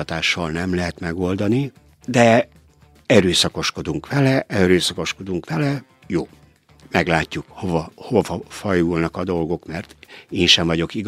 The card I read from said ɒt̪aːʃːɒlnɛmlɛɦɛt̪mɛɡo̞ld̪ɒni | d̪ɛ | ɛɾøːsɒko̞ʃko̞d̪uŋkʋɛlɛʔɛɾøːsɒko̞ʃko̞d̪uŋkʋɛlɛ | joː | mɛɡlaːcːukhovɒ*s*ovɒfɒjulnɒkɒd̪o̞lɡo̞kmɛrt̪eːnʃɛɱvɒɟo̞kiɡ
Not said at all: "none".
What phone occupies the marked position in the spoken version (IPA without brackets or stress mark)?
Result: h